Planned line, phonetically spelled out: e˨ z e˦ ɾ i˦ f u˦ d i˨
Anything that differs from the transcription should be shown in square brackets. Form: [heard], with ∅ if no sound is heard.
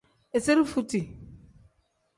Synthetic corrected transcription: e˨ [s] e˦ ɾ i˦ f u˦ [t] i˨